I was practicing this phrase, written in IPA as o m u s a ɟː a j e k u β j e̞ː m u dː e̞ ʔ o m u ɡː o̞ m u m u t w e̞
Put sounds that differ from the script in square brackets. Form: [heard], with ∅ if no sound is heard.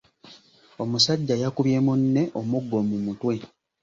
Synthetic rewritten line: o m u s a ɟː a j [a] k u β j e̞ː m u [nː] e̞ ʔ o m u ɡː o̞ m u m u t w e̞